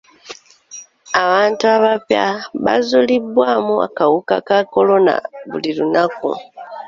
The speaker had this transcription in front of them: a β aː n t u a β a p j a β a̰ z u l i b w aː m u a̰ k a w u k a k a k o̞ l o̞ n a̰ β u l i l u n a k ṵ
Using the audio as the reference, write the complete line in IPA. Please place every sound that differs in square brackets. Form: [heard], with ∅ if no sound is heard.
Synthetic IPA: a β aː n t u a β a p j a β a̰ z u l i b w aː m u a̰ k a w u k a k a k o̞ l o̞ n a̰ β u l i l u n a k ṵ